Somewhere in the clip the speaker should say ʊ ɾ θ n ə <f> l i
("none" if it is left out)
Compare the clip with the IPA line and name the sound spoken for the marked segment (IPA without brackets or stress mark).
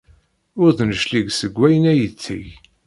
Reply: ʃ